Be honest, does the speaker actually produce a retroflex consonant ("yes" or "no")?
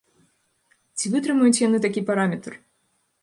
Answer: no